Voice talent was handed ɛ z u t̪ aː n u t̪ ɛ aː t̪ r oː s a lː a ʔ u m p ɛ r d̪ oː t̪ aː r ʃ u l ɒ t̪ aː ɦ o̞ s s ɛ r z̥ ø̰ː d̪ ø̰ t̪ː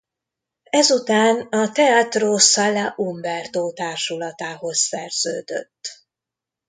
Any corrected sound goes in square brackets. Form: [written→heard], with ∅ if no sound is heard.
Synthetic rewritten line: ɛ z u t̪ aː n [u→ɒ] t̪ ɛ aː t̪ r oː s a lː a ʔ u m [p→b] ɛ r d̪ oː t̪ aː r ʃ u l ɒ t̪ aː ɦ o̞ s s ɛ r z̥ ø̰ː d̪ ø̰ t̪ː